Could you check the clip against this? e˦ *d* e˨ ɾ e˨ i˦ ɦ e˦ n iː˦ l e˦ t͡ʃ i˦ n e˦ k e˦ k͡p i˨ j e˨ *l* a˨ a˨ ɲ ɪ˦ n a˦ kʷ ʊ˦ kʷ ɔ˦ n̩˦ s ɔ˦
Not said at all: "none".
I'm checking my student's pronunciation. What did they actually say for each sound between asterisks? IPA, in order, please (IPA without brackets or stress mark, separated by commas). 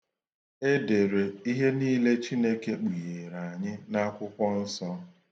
d, ɾ